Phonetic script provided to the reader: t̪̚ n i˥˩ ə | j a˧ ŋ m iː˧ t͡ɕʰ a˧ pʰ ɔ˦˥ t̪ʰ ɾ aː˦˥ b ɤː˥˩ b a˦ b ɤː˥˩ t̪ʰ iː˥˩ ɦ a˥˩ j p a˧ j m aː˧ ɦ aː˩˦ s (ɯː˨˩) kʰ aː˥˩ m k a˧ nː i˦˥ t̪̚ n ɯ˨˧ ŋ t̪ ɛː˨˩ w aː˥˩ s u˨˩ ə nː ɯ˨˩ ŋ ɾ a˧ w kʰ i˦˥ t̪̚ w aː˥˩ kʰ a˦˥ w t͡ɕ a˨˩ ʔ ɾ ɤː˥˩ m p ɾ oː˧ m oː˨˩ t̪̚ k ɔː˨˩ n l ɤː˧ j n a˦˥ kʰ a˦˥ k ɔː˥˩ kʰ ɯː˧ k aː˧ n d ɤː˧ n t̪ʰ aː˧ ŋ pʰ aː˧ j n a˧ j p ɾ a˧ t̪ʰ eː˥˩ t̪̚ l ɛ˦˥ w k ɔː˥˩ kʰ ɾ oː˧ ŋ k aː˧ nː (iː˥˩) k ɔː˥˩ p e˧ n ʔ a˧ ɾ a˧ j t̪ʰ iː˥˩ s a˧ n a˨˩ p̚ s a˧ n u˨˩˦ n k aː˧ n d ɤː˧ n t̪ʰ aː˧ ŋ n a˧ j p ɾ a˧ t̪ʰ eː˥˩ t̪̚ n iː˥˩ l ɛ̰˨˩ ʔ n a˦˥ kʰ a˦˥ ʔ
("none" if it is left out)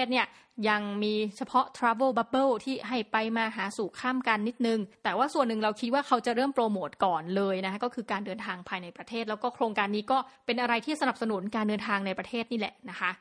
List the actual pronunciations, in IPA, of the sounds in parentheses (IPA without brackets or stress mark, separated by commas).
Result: uː˨˩, iː˦˥